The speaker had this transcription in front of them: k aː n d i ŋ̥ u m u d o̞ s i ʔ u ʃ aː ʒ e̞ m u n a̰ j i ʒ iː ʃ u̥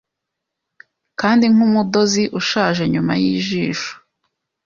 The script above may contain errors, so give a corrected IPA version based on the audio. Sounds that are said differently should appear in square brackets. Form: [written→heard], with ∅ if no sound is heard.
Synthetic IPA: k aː n d i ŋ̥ u m u d o̞ [s→z] i ʔ u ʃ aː ʒ e̞ [m→ɲ] u [n→m] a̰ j i ʒ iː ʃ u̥